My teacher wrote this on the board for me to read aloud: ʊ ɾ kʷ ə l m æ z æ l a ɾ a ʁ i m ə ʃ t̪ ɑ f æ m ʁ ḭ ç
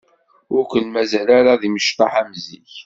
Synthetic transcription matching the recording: ʊ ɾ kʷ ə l m æ z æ l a ɾ a ð i m ə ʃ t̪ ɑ ħ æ m z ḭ ç